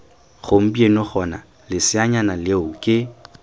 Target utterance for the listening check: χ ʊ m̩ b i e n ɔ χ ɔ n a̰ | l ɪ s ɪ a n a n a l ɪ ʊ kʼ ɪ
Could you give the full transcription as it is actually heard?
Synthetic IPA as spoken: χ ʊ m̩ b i e n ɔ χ ɔ n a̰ | l ɪ s ɪ a ɲ a n a l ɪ ʊ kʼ ɪ